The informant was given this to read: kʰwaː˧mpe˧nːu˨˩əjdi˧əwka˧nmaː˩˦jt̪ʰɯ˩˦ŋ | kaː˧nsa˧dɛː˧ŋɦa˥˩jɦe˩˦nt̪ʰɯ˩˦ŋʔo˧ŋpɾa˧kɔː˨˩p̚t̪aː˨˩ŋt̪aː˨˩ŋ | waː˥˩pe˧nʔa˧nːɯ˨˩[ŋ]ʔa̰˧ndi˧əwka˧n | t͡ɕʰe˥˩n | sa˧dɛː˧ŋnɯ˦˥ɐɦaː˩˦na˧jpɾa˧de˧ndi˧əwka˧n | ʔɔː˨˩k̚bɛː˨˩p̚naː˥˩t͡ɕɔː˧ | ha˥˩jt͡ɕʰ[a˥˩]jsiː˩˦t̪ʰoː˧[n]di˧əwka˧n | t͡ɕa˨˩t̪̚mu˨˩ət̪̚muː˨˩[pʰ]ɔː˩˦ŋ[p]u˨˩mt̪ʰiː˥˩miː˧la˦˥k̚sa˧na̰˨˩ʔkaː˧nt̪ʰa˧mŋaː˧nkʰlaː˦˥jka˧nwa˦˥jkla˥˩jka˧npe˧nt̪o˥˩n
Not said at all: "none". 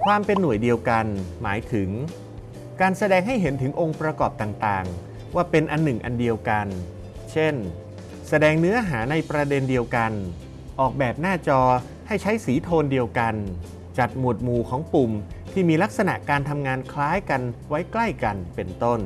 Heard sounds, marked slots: ŋ, a˦˥, n, kʰ, p

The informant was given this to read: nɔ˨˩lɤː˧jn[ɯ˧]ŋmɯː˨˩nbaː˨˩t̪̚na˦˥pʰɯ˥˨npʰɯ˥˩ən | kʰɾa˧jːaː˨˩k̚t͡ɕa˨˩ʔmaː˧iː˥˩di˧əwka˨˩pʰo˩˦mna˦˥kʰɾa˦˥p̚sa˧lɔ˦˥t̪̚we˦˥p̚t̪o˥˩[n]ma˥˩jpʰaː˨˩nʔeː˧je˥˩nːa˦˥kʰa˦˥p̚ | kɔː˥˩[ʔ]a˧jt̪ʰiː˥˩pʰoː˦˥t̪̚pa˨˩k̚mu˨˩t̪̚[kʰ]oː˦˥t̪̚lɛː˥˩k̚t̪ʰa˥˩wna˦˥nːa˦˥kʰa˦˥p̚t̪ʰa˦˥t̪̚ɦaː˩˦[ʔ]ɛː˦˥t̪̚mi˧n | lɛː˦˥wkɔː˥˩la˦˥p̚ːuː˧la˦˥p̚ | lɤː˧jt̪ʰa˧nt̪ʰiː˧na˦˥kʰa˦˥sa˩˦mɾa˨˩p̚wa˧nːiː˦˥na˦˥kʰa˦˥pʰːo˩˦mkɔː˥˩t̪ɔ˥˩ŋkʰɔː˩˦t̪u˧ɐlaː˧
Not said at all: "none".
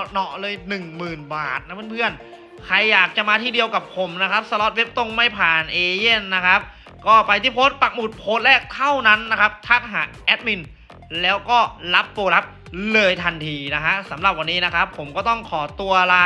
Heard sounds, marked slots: ɯ˨˩, ŋ, p, pʰ, ʔ

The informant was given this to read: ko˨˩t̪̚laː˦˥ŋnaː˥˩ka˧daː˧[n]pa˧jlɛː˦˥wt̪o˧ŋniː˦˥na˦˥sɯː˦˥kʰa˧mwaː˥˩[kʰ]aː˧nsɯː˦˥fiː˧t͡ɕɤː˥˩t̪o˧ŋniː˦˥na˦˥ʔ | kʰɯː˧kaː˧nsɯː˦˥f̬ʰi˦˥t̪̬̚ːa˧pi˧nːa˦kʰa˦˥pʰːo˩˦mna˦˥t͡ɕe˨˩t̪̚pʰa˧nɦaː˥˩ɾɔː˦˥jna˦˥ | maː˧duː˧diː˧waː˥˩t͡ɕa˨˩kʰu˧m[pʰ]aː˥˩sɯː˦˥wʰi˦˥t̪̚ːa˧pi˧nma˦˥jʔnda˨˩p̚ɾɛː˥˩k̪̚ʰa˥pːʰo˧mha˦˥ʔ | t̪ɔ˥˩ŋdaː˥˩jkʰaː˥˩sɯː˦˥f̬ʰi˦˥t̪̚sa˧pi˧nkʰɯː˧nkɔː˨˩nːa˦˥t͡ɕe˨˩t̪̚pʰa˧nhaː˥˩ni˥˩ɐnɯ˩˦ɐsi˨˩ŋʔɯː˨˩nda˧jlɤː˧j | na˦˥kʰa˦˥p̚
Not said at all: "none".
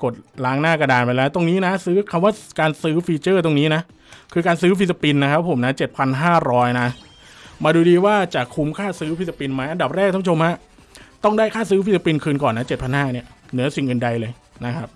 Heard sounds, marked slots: n, k, kʰ

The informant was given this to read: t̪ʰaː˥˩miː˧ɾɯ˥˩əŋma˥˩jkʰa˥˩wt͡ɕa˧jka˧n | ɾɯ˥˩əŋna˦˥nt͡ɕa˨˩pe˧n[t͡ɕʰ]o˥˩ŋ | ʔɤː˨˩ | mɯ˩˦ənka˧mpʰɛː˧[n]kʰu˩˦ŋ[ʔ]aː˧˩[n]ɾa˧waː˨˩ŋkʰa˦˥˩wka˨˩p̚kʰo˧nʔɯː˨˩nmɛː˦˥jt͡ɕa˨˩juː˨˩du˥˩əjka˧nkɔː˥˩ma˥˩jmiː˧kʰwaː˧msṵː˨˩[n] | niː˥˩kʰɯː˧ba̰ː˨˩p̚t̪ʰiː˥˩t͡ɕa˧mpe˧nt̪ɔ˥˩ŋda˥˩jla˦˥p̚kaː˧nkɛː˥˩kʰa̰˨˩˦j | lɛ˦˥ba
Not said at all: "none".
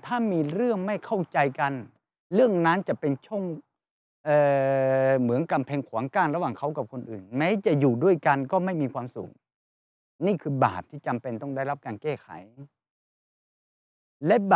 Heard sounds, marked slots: t͡ɕʰ, ŋ, k, n, ŋ

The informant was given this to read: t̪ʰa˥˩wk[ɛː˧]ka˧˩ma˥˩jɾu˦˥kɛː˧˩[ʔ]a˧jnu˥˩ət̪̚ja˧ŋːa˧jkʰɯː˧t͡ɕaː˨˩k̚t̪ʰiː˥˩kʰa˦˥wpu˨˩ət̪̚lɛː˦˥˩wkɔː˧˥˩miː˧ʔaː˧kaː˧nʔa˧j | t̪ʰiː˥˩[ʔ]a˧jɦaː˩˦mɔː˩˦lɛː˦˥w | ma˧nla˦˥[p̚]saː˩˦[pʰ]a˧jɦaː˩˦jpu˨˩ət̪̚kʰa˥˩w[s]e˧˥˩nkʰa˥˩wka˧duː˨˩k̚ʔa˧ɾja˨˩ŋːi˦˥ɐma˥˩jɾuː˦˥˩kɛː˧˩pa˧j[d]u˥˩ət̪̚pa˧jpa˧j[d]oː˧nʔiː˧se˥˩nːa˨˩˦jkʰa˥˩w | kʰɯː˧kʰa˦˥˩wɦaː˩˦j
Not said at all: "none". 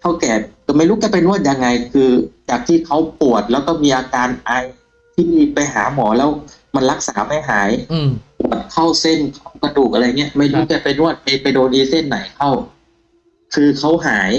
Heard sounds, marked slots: ɛː˨˩, p, p, k̚, p, s, n, d

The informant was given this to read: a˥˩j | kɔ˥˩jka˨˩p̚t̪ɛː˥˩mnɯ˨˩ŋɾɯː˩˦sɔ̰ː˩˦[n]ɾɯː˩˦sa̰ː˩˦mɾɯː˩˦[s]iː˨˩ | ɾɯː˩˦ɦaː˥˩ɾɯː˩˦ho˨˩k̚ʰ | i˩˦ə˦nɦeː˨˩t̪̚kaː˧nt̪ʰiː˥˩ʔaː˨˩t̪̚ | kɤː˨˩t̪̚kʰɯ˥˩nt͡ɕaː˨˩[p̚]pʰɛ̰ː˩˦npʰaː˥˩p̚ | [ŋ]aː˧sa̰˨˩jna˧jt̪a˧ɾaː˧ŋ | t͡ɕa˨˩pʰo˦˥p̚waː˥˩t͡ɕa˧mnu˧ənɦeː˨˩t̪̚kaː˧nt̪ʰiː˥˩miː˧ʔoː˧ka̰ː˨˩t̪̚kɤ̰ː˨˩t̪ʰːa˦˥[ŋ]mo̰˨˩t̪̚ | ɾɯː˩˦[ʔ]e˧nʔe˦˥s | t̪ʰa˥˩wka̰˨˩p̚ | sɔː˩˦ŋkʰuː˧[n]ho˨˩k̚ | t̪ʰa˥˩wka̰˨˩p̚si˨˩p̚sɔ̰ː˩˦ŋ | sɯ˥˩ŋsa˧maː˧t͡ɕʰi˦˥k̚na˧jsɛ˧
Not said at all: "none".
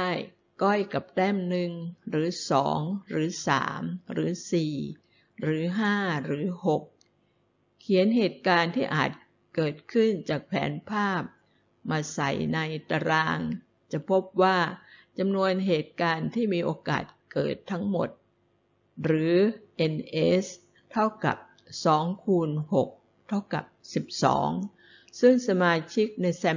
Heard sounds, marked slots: ŋ, s, k̚, m, ŋ, ʔ, n

